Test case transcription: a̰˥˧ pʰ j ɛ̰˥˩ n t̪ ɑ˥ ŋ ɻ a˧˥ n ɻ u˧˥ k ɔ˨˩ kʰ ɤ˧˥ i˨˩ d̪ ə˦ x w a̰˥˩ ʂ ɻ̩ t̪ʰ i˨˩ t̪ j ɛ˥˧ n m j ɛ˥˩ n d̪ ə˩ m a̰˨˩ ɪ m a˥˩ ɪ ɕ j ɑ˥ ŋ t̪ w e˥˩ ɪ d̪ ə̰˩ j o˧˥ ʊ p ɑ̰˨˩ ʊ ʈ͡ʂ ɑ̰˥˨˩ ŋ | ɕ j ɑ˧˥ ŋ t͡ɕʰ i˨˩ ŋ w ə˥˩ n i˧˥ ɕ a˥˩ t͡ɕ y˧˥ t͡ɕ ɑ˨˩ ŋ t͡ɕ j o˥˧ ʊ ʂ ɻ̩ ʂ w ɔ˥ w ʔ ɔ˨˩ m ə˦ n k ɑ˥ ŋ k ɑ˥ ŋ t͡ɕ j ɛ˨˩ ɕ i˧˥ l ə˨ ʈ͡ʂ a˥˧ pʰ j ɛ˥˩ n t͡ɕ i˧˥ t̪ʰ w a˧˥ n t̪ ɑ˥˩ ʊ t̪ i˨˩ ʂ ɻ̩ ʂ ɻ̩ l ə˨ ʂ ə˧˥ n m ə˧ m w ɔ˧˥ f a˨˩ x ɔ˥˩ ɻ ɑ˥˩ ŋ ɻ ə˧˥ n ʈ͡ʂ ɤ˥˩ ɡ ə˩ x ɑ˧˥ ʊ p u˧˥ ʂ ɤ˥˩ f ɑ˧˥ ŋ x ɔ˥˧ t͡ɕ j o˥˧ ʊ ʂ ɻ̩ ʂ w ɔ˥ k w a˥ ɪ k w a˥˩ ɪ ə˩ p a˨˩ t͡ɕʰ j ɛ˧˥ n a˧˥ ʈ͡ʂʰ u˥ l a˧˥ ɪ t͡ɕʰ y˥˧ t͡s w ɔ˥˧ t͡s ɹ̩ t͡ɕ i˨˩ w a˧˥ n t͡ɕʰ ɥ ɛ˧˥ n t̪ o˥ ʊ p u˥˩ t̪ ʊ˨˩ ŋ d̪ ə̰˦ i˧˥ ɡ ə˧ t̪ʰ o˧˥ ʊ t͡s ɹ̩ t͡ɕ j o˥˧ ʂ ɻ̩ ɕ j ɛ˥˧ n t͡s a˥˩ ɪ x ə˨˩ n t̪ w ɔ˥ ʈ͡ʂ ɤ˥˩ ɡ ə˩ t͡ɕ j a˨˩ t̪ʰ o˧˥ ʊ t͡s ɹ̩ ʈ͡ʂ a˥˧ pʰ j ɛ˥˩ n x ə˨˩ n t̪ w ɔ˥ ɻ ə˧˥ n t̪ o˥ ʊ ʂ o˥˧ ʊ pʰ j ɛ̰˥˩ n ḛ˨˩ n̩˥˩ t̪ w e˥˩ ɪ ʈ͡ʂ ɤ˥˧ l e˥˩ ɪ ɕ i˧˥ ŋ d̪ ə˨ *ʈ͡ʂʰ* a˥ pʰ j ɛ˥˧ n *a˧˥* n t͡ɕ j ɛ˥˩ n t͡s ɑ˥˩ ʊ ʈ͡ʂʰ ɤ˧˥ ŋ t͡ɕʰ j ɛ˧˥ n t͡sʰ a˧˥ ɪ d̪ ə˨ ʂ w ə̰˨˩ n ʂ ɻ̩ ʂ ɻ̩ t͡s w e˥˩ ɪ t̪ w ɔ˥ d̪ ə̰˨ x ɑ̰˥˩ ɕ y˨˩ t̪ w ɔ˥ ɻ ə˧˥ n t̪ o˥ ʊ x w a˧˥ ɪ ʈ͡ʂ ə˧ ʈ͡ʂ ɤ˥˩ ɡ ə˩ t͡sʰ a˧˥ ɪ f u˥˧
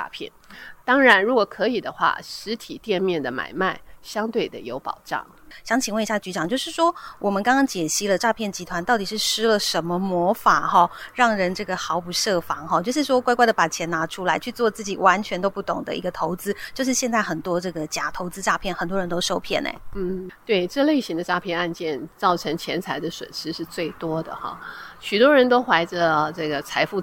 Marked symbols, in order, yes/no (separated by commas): no, no